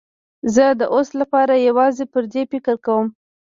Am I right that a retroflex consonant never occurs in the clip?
yes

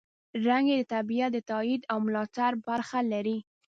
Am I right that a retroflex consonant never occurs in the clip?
yes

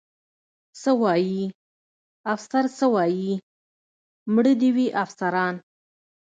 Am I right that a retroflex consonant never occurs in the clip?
no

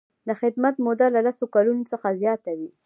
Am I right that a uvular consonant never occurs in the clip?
yes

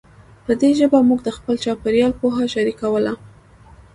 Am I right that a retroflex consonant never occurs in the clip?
yes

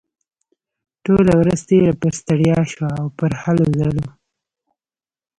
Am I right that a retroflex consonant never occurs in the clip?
no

